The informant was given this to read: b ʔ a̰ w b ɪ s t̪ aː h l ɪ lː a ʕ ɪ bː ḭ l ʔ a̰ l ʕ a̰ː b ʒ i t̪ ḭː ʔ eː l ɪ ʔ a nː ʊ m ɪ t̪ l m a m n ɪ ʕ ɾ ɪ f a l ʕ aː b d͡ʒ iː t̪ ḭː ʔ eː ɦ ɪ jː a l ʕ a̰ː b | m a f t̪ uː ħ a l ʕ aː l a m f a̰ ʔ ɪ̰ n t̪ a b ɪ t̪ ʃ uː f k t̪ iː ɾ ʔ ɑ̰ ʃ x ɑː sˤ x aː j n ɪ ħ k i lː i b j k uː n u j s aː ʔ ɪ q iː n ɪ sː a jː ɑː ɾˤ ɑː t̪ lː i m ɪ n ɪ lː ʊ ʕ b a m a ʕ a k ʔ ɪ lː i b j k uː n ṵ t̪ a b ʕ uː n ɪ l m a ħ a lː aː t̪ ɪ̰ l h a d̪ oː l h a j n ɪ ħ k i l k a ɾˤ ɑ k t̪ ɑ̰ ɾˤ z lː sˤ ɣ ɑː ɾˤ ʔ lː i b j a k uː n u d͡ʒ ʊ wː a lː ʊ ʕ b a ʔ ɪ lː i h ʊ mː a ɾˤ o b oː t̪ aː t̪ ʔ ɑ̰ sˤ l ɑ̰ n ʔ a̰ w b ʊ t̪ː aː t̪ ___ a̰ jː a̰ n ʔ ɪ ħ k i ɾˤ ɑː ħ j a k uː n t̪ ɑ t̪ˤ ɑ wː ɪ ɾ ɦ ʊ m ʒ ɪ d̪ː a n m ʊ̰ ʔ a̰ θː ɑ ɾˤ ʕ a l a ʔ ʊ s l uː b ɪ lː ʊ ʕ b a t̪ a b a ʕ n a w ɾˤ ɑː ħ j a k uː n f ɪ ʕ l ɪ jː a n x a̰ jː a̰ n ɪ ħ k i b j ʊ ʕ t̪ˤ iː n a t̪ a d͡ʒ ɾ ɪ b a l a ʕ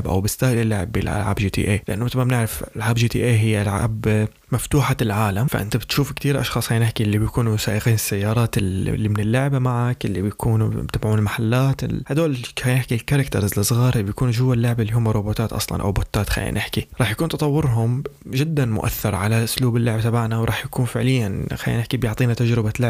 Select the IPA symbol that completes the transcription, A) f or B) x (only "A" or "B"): B